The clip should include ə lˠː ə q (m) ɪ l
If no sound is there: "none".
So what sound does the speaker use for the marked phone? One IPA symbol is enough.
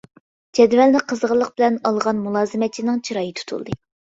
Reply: b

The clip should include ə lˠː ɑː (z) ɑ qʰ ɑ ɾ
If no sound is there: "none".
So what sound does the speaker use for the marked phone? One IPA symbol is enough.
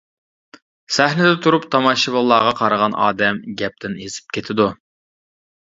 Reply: ʁ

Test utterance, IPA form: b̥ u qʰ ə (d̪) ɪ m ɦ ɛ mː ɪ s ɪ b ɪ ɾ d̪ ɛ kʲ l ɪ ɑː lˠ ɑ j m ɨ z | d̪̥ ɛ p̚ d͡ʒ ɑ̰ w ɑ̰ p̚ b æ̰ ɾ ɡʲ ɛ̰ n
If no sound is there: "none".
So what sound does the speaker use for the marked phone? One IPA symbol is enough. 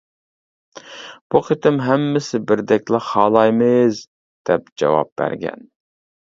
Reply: t̪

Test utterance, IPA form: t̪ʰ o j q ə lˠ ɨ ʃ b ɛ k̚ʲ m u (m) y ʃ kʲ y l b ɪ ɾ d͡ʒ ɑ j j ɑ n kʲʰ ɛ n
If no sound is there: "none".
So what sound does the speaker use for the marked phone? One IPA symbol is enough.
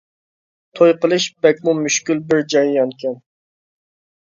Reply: m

